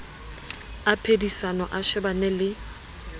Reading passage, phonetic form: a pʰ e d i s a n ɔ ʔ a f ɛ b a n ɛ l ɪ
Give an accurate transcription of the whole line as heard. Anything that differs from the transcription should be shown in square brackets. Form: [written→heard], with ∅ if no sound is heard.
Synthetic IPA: a pʰ e d i s a n ɔ ʔ a [f→ʃ] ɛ b a n ɛ l ɪ

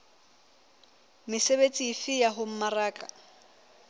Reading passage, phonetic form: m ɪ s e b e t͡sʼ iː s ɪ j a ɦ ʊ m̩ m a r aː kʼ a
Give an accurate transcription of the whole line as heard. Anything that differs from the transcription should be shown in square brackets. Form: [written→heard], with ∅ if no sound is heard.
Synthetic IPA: m ɪ s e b e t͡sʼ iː [s→f] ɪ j a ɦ ʊ m̩ m a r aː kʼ a

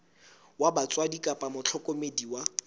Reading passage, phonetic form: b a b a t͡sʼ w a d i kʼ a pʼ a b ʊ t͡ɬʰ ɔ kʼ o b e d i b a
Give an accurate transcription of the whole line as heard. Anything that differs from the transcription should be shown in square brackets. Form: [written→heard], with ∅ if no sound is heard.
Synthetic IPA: [b→w] a b a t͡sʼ w a d i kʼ a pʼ a [b→m] ʊ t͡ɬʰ ɔ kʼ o [b→m] e d i [b→w] a

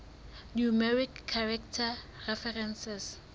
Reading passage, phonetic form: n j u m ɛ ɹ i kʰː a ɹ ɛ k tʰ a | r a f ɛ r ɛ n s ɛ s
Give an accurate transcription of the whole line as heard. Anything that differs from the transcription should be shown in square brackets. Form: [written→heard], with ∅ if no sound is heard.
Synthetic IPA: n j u m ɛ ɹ i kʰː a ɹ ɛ k tʰ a | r [a→ɛ] f ɛ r ɛ n s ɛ s

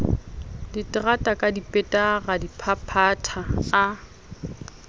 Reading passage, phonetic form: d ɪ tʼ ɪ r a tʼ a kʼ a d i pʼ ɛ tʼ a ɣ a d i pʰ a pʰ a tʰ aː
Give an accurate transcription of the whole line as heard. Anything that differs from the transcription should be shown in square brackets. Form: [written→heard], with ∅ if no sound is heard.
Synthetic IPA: d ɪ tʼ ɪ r a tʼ a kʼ a d i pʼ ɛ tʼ a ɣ a d i pʰ a pʰ a tʰ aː

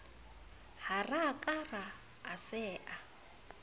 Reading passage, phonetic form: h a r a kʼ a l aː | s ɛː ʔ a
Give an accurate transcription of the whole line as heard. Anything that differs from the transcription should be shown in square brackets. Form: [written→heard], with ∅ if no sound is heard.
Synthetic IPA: h a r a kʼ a [l→r] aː | s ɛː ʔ a

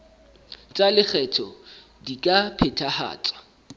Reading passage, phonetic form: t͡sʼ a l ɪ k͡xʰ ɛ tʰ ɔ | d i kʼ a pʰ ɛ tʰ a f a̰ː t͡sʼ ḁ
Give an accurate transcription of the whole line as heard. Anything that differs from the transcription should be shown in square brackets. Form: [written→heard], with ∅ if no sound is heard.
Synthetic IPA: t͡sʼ a l ɪ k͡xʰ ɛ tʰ ɔ | d i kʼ a pʰ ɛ tʰ a [f→h] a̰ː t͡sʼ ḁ

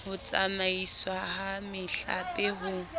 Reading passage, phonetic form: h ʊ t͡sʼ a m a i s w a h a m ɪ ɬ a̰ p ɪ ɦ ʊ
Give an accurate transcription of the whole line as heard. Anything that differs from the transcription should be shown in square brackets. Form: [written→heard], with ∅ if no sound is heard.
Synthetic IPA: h ʊ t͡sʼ a m a i s w a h a m ɪ ɬ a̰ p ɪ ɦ ʊ

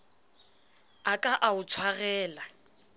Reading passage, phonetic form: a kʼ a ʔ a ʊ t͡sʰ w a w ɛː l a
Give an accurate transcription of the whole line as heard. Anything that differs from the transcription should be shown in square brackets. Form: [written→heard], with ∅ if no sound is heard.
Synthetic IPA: a kʼ a ʔ a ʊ t͡sʰ w a [w→ɣ] ɛː l a

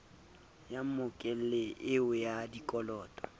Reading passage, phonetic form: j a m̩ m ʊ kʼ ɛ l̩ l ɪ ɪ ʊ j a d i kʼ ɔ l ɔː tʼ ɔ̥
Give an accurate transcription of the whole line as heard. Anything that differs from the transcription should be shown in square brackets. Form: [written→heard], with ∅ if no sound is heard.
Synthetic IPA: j a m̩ m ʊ kʼ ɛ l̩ l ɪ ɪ ʊ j a d i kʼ ɔ l ɔː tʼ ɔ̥

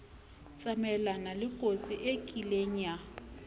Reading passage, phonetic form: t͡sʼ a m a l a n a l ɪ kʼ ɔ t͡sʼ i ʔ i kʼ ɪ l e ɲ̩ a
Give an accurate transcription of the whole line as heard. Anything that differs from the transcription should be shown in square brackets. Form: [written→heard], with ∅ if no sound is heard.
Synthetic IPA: t͡sʼ a m [a→ɛ] l a n a l ɪ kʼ [ɔ→o] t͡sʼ i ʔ [i→e] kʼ [ɪ→i] l e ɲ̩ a

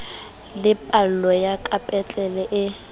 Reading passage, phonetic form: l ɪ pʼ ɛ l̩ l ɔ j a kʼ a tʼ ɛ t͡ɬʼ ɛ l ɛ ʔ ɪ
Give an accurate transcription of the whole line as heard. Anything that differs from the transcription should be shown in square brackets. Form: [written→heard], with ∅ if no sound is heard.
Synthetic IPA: l ɪ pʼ [ɛ→a] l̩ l ɔ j a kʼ a [tʼ→pʼ] ɛ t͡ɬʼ ɛ l ɛ ʔ ɪ

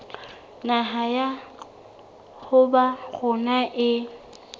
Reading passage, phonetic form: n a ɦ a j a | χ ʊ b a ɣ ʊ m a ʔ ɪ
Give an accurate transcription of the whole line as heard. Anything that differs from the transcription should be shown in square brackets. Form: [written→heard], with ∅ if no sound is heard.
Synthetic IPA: n a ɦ a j a | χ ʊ b a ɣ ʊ [m→n] a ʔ ɪ

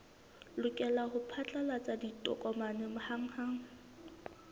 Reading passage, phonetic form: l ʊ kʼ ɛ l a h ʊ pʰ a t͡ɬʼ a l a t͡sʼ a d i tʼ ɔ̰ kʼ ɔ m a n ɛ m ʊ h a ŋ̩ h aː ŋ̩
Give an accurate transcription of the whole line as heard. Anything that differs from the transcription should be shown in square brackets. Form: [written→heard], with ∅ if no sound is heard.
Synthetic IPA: l ʊ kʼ ɛ l a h ʊ pʰ a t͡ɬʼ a l a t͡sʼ a d i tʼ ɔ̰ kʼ ɔ m a n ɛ m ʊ h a ŋ̩ h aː ŋ̩

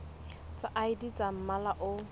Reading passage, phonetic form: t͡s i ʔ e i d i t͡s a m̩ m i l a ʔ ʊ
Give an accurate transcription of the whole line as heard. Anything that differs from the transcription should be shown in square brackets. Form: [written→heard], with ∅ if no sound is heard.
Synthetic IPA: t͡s [i→a] ʔ [e→a] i d i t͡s a m̩ m [i→a] l a ʔ ʊ

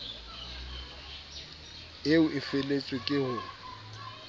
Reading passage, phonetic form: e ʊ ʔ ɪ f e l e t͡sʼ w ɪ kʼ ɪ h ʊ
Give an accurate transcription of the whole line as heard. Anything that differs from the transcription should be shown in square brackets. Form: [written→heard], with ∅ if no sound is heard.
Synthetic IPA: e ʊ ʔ ɪ f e l e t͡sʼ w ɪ kʼ ɪ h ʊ

